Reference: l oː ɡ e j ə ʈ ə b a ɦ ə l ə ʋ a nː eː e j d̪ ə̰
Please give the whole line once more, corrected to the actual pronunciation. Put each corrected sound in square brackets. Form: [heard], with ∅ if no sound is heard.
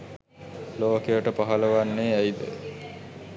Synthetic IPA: l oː [k] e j ə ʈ ə [p] a ɦ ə l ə ʋ a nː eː [æ] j d̪ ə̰